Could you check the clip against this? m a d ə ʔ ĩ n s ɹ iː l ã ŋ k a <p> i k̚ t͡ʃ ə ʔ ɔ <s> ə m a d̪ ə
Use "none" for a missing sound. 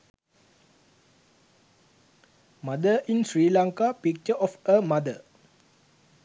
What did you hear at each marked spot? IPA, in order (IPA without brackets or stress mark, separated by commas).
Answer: p, f